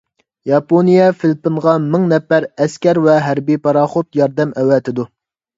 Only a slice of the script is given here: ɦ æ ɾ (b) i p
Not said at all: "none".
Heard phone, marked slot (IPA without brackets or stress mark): b